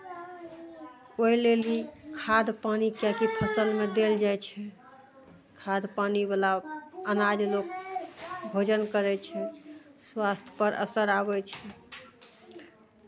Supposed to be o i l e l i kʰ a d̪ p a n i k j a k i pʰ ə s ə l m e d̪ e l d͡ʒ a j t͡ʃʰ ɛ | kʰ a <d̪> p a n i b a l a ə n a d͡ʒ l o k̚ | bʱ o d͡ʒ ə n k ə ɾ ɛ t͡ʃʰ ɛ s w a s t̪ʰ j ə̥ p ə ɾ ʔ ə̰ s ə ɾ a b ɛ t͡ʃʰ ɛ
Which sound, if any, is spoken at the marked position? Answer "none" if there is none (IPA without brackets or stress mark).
d̪